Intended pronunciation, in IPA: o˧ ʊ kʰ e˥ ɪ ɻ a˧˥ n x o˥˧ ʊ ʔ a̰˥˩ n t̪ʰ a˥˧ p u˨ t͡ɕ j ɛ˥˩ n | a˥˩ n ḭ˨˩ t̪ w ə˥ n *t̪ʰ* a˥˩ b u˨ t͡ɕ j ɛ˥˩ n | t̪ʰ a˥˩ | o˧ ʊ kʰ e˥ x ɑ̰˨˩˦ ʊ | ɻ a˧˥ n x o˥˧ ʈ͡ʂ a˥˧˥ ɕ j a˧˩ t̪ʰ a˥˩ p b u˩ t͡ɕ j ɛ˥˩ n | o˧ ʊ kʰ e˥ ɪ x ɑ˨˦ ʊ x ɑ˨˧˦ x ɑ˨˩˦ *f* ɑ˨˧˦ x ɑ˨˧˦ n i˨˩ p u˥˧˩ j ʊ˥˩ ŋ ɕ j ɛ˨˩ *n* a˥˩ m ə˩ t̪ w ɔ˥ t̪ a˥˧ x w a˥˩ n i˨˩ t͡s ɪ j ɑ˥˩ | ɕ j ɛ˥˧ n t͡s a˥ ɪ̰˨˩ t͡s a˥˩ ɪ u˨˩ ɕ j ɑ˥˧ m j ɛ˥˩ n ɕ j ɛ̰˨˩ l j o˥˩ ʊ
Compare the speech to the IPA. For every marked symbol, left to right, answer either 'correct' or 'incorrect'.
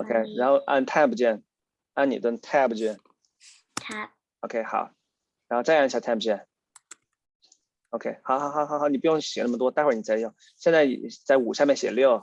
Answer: correct, incorrect: x, correct

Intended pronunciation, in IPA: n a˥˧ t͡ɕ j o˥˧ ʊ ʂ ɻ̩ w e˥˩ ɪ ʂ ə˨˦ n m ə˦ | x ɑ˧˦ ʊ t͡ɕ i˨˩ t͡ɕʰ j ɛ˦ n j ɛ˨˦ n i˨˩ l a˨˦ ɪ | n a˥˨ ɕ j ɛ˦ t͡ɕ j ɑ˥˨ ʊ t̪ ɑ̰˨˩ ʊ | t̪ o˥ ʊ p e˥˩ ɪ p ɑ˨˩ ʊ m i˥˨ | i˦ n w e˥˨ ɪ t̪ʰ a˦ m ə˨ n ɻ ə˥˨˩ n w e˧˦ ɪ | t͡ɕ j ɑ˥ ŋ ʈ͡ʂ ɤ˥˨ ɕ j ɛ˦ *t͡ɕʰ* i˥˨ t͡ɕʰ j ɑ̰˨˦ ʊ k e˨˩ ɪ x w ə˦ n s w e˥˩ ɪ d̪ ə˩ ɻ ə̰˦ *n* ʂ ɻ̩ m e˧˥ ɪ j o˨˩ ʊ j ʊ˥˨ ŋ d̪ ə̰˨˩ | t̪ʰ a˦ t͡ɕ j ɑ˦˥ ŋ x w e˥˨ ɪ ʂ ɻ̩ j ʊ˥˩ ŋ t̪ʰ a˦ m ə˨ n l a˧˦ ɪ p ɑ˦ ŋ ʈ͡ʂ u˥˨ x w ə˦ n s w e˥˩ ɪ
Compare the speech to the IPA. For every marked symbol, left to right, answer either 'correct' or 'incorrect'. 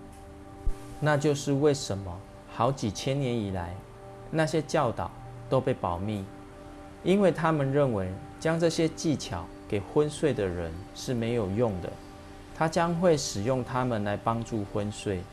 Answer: incorrect: t͡ɕ, correct

